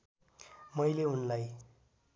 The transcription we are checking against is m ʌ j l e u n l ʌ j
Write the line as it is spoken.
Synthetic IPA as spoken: m ʌ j l e u n l a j